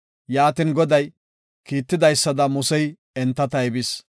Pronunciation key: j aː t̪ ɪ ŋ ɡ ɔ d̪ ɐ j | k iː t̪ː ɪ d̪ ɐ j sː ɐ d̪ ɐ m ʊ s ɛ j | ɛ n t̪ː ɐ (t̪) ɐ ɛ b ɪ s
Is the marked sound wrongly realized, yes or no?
no